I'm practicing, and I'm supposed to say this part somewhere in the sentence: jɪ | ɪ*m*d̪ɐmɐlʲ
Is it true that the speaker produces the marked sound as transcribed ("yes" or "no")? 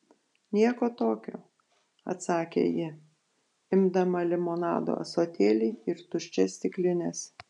yes